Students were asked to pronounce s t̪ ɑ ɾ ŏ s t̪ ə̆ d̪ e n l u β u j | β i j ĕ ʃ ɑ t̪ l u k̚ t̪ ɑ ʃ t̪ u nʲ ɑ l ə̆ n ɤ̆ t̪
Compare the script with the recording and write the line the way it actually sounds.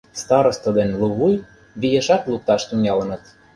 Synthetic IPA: s t̪ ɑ ɾ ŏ s t̪ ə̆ d̪ e n l u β u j | β i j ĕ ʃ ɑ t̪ l u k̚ t̪ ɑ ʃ t̪ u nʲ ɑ l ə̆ n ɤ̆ t̪